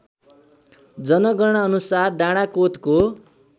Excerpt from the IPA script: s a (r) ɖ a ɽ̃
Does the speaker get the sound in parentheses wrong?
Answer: no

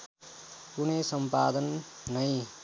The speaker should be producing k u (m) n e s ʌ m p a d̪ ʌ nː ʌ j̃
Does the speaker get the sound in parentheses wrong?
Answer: yes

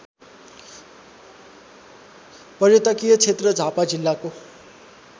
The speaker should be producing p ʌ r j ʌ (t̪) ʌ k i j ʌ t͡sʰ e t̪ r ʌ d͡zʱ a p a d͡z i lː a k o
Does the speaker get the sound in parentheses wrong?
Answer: no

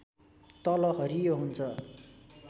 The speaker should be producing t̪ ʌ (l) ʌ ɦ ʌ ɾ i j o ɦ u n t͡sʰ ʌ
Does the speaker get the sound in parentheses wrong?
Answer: no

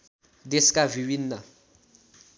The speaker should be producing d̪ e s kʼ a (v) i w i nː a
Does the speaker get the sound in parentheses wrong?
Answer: no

